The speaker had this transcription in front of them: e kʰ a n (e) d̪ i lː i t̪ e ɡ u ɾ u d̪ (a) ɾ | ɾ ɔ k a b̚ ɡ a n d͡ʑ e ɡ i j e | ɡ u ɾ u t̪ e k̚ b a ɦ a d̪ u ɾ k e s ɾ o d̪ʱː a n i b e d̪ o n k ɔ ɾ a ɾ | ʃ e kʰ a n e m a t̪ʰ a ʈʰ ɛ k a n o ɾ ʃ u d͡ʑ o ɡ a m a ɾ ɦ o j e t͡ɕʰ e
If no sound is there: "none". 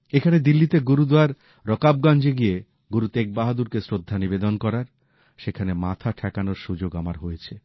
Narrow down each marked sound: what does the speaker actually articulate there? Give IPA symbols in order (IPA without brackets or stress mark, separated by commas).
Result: e, a